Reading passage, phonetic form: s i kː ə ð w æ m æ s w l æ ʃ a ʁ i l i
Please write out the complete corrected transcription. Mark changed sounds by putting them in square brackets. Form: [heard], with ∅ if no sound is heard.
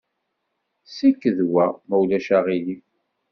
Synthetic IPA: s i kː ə ð w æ m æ [∅] w l æ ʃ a ʁ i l i

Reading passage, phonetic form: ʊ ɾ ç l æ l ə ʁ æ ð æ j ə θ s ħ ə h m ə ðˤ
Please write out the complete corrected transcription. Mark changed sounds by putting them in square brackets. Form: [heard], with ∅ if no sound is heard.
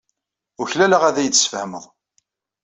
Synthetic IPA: ʊ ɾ ç l æ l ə ʁ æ ð æ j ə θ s [f] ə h m ə ðˤ

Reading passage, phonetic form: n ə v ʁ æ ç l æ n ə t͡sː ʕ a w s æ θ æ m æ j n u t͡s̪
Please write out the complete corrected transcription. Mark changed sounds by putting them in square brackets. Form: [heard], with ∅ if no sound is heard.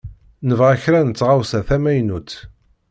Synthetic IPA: n ə v ʁ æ ç [ɾ] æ n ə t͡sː [ʁ] a w s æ θ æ m æ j n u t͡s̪

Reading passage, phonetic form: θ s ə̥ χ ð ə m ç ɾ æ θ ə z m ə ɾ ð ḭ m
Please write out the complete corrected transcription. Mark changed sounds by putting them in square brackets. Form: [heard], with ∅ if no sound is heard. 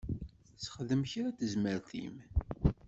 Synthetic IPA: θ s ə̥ χ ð ə m ç ɾ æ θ ə z m ə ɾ [θ] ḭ m

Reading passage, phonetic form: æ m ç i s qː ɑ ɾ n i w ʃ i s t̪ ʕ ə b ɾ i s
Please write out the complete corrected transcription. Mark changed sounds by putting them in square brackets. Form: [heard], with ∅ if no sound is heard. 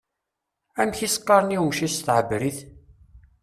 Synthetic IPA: æ m ç i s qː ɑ ɾ n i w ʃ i s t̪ ʕ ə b ɾ i [θ]

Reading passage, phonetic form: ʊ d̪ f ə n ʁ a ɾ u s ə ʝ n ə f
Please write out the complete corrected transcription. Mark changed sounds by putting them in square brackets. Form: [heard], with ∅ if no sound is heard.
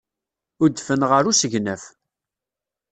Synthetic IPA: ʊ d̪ f ə n ʁ [ə] ɾ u s ə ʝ n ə f

